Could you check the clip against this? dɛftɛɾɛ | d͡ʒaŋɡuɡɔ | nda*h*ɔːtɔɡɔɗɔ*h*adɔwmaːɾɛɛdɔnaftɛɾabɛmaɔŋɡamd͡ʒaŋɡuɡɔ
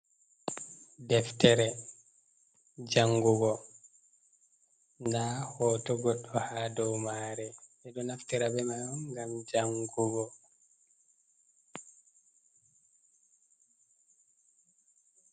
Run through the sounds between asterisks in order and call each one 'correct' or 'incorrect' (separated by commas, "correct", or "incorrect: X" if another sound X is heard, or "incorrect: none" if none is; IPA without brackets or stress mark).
correct, correct